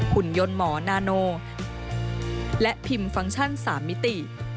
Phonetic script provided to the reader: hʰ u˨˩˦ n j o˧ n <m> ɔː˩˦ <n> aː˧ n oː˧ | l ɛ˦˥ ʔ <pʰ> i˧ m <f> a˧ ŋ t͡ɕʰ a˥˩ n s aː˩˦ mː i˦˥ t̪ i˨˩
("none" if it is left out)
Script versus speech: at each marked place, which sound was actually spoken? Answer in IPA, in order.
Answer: m, n, pʰ, f

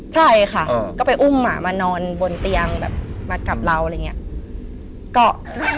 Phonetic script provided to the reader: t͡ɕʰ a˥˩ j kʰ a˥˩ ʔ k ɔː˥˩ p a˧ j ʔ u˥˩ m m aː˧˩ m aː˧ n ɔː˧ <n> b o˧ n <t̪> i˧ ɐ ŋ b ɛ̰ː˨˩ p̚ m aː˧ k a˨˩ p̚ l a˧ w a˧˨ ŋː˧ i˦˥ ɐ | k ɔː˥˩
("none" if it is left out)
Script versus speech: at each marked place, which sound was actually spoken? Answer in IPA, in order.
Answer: n, t̪

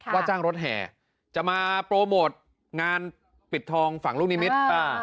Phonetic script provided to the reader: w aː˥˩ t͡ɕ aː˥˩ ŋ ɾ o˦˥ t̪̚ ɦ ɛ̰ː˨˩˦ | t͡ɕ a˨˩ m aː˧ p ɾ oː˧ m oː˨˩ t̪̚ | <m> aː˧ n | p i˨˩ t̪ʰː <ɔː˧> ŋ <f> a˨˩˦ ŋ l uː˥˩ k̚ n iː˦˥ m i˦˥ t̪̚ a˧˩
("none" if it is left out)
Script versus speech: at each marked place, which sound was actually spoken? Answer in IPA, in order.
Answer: ŋ, ɔː˧, f

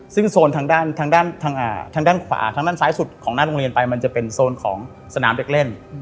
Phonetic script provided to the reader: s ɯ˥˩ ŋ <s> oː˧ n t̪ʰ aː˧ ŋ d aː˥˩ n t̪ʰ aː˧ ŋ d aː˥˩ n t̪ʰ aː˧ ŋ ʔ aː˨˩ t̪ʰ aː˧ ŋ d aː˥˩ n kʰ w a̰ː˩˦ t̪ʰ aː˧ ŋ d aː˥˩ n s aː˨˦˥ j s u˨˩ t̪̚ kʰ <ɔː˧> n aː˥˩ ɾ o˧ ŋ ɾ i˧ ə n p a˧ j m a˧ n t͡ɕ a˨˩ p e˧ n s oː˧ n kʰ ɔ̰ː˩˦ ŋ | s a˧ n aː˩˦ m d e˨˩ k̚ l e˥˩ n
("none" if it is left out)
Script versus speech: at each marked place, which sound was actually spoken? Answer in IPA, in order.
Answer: s, ɔː˩˦

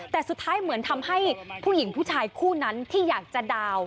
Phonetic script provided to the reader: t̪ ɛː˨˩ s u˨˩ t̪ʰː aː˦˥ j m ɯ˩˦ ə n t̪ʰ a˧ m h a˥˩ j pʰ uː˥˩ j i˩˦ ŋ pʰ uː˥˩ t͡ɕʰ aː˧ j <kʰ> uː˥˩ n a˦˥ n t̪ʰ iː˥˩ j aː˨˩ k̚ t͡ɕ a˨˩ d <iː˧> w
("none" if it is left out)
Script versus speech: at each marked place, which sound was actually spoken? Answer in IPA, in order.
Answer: kʰ, aː˧

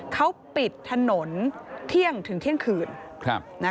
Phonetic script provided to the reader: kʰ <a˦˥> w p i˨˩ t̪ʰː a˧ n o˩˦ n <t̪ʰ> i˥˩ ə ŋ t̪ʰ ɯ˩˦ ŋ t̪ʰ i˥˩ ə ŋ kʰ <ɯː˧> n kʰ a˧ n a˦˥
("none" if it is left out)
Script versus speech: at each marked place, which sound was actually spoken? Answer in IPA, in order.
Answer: a˦˥, t̪ʰ, ɯː˨˩

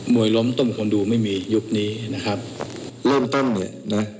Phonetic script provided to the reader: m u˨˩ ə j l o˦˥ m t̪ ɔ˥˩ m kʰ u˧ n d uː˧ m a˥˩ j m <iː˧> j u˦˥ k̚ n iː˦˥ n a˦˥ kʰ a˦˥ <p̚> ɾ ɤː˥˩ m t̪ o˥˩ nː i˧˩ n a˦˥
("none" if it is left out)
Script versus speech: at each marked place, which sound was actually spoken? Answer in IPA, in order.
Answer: iː˧, p̚

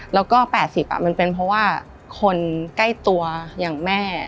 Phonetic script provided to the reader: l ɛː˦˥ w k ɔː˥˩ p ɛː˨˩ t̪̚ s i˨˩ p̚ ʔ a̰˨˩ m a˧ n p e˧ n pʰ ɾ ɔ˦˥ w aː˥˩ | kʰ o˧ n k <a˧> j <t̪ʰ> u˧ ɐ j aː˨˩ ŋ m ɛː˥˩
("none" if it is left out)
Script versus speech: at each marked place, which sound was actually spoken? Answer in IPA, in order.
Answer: a˥˩, t̪

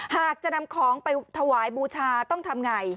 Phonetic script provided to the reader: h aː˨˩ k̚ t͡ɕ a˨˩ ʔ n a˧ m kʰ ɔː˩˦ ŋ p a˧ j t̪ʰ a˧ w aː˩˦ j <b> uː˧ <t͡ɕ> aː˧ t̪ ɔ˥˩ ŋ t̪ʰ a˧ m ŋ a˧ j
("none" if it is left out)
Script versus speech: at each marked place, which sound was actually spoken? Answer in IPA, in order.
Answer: b, t͡ɕʰ

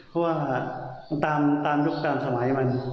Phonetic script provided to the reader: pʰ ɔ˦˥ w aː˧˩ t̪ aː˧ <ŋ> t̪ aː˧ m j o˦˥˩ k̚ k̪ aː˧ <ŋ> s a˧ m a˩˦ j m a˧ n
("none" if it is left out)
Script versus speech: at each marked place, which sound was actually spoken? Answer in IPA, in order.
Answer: m, m

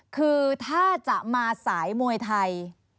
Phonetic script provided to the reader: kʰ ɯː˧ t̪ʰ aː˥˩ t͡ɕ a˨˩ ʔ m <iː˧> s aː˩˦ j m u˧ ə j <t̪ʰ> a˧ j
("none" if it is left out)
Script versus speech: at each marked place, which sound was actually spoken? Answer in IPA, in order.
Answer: aː˧, t̪ʰ

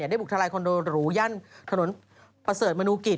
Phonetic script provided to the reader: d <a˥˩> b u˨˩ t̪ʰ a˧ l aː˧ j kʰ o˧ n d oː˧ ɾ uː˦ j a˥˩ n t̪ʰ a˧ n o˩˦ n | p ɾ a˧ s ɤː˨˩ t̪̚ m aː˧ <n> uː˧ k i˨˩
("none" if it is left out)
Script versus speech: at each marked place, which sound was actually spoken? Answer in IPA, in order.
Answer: a˥˩, n

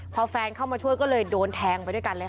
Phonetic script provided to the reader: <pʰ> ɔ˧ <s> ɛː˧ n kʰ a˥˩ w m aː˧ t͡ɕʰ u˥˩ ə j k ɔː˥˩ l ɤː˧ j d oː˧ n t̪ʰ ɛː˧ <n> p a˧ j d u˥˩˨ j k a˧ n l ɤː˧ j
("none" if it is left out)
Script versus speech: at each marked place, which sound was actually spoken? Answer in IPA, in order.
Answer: pʰ, f, ŋ

